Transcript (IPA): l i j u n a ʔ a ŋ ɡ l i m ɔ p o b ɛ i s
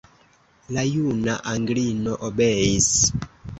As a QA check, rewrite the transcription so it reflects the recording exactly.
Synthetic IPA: l a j u n a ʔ a ŋ ɡ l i n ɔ ʔ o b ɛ i s